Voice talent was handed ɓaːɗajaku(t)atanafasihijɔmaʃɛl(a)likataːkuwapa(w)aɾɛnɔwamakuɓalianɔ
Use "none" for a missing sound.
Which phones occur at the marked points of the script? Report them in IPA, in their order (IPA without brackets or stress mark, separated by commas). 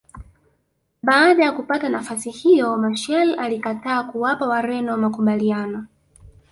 p, a, w